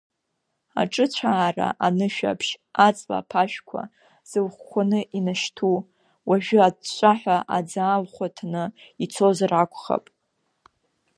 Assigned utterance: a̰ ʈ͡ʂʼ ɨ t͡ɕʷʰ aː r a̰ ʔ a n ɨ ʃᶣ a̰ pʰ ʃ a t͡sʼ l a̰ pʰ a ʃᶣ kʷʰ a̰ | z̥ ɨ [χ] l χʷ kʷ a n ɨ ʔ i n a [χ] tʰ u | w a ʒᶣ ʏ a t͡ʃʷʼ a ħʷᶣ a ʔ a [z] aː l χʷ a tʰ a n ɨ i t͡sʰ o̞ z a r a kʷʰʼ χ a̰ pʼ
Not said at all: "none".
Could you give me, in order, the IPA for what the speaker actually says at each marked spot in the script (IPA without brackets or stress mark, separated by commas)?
none, ʃ, d͡z